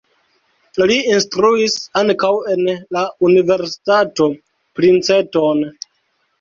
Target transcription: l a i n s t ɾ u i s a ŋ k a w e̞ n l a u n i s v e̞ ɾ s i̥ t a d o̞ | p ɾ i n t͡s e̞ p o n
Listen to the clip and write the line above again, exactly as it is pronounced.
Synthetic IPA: l i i n s t ɾ u i s a ŋ k a w e̞ n l a u n i v e̞ ɾ s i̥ t a t o̞ | p ɾ i n t͡s e̞ t o n